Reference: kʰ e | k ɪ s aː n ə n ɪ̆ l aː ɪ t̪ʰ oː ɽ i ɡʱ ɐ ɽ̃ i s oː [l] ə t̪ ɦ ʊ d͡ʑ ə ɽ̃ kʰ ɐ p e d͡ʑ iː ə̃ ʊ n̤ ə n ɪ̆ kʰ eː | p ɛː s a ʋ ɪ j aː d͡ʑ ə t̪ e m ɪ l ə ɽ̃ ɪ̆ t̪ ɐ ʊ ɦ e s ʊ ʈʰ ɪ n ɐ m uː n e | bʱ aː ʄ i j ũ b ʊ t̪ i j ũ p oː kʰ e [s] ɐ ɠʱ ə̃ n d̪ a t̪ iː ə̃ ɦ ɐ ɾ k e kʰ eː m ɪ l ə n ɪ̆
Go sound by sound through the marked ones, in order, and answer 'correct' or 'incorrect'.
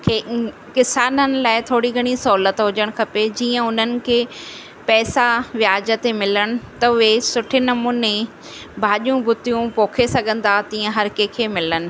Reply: correct, correct

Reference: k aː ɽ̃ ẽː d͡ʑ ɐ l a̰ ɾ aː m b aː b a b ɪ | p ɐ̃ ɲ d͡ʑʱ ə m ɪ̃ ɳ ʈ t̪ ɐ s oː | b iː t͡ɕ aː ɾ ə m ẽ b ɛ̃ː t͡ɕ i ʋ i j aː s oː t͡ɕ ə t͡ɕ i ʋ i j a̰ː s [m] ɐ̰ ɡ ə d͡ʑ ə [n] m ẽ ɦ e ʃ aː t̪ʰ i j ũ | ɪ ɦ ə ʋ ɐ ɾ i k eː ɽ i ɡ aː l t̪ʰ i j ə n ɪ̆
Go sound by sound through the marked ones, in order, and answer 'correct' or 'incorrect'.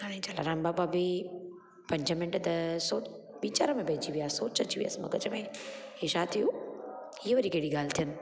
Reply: correct, incorrect

